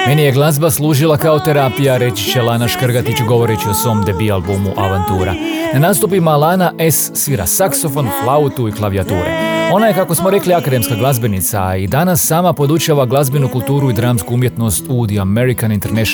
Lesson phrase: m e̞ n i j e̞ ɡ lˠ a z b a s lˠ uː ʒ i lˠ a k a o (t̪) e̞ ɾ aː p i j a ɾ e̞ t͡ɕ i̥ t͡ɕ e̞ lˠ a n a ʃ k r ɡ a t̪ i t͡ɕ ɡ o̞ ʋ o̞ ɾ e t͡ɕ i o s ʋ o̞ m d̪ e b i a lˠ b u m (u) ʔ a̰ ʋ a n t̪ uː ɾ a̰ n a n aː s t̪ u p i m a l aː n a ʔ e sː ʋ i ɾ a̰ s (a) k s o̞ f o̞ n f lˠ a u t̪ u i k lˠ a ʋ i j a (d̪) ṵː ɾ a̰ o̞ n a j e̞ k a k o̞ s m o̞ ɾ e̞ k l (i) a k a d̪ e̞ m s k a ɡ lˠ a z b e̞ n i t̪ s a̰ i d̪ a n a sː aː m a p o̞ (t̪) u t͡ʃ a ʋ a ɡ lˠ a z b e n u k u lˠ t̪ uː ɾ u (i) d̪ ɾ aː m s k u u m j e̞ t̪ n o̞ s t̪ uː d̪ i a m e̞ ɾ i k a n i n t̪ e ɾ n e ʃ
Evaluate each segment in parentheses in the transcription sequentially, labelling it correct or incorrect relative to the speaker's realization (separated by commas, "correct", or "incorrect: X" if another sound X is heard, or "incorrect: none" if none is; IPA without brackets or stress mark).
correct, correct, correct, incorrect: t̪, correct, incorrect: d̪, correct